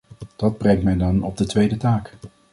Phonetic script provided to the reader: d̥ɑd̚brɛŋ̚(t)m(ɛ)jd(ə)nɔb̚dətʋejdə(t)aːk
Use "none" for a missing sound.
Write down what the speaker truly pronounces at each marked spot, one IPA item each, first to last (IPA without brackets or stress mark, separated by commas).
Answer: t, ɛ, ɑ, t